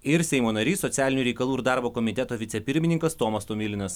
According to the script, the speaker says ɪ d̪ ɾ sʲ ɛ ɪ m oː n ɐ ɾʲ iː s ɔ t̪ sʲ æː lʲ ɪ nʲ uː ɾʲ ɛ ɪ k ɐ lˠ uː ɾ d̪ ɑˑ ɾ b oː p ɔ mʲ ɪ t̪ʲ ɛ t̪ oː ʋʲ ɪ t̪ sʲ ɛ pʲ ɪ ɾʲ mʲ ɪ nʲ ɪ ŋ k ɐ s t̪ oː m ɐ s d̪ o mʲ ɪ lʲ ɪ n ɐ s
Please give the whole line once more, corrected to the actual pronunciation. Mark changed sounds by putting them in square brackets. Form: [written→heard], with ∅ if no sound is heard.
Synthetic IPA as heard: ɪ [d̪→∅] ɾ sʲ ɛ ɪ m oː n ɐ ɾʲ iː s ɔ t̪ sʲ æː lʲ ɪ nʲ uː ɾʲ ɛ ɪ k ɐ lˠ uː ɾ d̪ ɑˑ ɾ b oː [p→k] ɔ mʲ ɪ t̪ʲ ɛ t̪ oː ʋʲ ɪ t̪ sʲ ɛ pʲ ɪ ɾʲ mʲ ɪ nʲ ɪ ŋ k ɐ s t̪ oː m ɐ s [d̪→t̪] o mʲ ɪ lʲ ɪ n ɐ s